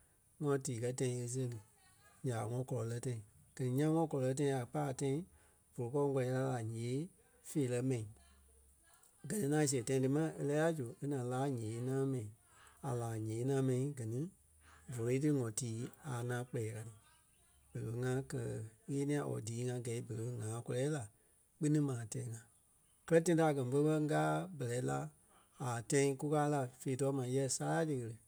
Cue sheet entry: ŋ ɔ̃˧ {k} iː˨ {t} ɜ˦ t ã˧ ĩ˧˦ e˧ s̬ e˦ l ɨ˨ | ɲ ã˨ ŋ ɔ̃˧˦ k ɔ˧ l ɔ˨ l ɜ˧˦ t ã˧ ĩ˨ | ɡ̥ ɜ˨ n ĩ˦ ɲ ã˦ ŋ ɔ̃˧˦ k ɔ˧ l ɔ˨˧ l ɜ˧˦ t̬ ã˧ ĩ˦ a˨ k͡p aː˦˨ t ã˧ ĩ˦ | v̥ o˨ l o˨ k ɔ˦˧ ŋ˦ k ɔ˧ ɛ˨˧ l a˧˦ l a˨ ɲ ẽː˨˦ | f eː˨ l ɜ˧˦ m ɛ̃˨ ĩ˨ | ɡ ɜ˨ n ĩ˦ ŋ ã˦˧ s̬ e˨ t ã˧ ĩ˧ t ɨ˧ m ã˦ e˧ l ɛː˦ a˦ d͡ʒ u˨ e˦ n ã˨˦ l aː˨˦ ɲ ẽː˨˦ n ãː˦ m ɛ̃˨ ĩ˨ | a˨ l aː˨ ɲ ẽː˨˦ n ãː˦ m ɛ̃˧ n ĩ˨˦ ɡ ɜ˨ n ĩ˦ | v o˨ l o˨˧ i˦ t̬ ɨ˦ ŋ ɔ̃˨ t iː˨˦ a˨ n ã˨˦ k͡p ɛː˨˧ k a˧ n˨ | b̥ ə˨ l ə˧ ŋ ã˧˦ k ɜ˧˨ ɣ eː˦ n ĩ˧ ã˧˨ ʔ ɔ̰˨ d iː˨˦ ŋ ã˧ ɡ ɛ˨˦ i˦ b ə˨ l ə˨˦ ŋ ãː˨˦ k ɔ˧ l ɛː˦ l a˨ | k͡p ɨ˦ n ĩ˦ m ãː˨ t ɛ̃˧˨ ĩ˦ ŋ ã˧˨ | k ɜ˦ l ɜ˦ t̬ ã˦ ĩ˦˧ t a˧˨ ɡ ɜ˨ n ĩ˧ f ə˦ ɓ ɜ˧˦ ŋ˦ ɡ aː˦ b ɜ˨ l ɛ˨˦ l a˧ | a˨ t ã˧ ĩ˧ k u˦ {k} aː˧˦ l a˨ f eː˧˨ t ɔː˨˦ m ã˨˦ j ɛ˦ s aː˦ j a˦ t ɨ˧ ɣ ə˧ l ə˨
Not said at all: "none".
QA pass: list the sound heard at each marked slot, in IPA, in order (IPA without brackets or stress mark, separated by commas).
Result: t, k, k